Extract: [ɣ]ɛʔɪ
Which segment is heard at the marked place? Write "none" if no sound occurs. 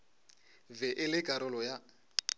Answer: v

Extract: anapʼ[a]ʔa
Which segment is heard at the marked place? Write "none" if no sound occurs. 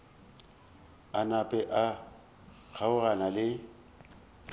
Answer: ɛ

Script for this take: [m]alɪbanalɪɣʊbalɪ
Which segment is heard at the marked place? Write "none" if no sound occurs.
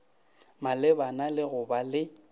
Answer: m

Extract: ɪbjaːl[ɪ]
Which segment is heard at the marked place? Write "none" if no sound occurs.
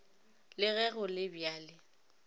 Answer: ɪ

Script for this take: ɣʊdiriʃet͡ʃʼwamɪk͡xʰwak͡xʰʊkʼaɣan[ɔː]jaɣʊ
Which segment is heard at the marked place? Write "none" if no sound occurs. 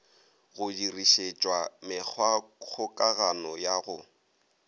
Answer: ɔ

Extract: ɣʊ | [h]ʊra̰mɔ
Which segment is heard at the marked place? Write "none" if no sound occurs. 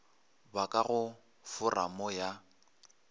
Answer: f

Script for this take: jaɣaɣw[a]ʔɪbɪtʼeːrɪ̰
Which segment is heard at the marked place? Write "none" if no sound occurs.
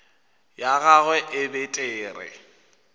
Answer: ɛ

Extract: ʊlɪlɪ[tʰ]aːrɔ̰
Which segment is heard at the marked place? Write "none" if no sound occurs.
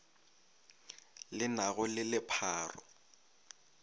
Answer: pʰ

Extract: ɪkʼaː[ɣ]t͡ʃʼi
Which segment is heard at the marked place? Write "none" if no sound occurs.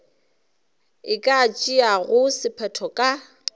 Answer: none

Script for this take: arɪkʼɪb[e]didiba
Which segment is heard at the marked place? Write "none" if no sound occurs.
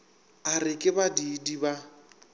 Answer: a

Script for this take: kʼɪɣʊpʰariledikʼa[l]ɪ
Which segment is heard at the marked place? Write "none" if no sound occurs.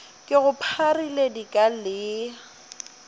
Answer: l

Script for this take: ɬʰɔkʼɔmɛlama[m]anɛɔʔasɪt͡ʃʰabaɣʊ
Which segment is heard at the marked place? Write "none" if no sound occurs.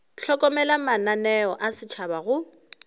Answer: n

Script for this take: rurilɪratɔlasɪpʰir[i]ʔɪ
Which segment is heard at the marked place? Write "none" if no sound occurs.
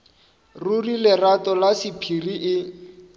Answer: i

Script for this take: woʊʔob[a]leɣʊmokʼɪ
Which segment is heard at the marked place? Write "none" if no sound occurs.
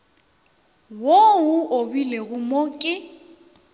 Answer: i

